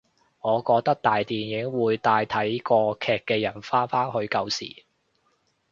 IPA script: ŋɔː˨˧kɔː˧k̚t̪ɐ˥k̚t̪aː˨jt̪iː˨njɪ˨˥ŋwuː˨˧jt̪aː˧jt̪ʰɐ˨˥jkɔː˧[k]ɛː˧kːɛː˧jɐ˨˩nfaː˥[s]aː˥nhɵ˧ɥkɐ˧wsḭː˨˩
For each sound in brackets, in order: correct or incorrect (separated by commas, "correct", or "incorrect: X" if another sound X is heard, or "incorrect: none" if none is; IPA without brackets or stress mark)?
incorrect: kʰ, incorrect: f